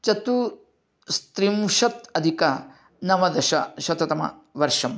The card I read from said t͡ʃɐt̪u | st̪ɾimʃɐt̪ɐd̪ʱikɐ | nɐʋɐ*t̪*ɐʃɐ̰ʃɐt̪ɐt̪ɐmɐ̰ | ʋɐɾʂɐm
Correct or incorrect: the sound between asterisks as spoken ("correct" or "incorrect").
incorrect